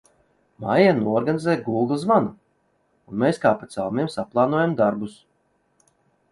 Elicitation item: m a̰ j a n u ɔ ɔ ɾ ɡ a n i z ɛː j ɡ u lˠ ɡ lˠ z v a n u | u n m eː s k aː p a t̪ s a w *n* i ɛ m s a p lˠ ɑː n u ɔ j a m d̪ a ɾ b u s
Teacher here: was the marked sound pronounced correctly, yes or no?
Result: no